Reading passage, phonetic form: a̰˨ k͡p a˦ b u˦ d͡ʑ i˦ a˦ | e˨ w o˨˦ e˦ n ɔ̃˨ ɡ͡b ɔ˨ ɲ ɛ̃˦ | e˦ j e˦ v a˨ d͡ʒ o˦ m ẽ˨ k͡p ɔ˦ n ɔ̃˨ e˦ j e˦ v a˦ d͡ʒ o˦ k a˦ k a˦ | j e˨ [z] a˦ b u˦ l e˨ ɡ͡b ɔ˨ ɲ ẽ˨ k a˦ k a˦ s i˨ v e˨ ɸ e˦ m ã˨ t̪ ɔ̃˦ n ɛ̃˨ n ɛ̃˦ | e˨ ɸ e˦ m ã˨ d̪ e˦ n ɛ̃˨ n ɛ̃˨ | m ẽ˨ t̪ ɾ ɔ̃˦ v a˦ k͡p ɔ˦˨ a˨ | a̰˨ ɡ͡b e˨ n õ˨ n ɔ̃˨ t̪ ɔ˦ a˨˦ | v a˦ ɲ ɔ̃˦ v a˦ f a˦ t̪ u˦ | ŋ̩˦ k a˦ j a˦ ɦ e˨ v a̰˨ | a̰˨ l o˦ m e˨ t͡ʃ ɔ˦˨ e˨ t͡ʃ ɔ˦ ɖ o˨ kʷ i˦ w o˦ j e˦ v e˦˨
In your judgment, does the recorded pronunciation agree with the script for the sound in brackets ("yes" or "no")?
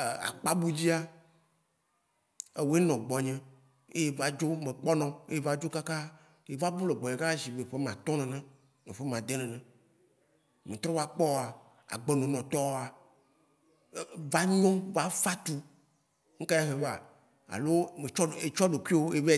no